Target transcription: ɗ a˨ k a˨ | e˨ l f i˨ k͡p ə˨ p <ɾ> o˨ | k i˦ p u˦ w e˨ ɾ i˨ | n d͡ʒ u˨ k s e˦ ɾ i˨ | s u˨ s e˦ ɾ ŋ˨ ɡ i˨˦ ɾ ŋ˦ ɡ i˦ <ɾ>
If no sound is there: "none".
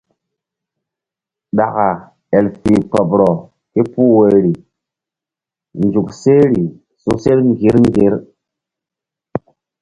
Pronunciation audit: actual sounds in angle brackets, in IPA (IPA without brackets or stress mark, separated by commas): ɾ, ɾ